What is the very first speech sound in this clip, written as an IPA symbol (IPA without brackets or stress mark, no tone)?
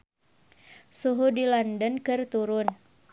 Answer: s